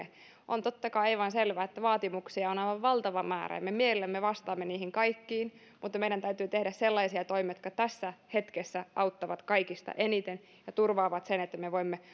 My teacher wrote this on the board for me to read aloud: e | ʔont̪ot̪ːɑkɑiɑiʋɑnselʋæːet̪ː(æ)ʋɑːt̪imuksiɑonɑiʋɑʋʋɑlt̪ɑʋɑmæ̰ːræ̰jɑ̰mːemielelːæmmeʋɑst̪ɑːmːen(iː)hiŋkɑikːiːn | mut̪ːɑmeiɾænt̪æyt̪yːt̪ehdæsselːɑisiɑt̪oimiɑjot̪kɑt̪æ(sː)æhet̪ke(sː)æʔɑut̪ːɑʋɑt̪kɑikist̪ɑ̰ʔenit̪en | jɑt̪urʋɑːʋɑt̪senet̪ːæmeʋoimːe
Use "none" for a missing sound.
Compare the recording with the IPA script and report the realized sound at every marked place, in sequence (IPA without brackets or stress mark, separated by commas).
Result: æ, iː, sː, sː